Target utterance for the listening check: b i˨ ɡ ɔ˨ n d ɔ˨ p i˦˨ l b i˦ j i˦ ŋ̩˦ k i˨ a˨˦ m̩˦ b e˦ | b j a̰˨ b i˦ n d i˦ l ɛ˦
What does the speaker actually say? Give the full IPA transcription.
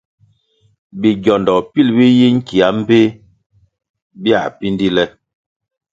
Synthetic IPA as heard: b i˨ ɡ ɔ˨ n d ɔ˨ p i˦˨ l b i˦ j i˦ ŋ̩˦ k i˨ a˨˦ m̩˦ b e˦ | b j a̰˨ p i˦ n d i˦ l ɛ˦